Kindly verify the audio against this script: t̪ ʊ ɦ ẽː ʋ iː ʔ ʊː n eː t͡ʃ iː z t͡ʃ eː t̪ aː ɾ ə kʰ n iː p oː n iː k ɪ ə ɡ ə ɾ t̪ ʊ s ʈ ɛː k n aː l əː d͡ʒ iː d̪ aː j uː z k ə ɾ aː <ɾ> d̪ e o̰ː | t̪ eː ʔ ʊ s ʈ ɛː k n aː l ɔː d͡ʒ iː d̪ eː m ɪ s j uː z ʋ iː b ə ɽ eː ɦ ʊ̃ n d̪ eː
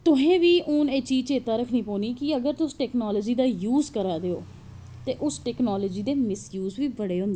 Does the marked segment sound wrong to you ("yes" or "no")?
yes